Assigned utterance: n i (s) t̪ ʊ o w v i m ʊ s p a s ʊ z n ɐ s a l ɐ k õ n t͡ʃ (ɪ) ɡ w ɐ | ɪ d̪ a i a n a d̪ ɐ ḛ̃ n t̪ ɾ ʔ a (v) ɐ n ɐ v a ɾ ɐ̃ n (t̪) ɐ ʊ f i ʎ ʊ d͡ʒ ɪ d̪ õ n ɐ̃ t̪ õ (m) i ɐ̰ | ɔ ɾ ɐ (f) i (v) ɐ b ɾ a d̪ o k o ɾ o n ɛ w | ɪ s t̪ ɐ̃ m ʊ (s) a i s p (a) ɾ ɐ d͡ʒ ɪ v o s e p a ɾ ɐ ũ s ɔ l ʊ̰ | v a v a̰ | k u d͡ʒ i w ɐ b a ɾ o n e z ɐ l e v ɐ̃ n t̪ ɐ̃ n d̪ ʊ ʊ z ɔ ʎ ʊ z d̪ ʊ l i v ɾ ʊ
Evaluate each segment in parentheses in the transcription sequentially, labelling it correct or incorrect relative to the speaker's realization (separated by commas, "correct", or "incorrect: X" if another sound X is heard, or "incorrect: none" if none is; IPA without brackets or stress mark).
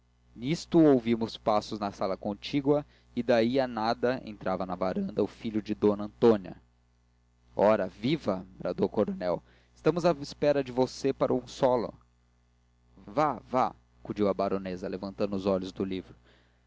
correct, incorrect: i, correct, incorrect: d̪, incorrect: n, incorrect: v, correct, incorrect: z, incorrect: ɛ